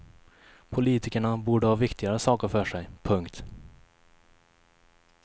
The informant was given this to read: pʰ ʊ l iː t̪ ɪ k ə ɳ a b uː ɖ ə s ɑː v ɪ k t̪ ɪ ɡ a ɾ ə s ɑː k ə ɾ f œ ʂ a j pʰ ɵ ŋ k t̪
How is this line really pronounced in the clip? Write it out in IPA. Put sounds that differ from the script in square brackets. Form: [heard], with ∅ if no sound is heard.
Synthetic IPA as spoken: pʰ ʊ l iː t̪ ɪ k ə ɳ a b uː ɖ ə [h] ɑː v ɪ k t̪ ɪ ɡ a ɾ ə s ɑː k ə ɾ f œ ʂ [ɛ] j pʰ ɵ ŋ k t̪